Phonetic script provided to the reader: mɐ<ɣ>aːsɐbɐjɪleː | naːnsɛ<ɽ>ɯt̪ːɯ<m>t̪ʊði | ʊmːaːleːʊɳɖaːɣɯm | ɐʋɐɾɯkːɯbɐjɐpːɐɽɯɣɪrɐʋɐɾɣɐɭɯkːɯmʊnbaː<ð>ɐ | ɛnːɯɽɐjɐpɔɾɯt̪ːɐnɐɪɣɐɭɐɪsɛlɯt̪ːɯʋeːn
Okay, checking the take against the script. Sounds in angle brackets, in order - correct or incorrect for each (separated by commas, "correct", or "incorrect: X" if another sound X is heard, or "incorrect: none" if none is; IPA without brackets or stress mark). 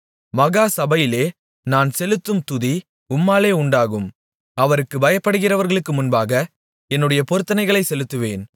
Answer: correct, incorrect: l, correct, incorrect: ɣ